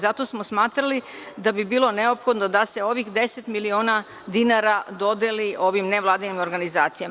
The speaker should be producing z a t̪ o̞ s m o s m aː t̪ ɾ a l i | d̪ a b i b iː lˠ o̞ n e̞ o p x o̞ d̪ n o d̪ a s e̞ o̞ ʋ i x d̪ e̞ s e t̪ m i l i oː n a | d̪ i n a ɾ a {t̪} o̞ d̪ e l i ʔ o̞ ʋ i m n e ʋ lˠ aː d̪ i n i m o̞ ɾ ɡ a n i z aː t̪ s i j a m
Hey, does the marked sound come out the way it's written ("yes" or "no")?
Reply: no